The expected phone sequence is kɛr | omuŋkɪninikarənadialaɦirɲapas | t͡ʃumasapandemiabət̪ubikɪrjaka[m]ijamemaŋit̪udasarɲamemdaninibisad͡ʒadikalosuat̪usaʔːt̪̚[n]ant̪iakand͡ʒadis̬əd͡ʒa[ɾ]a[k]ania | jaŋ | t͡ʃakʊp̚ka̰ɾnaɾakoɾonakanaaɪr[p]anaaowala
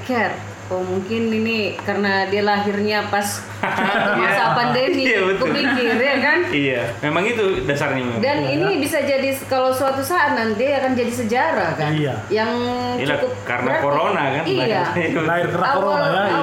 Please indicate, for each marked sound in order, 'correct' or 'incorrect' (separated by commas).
incorrect, correct, correct, correct, incorrect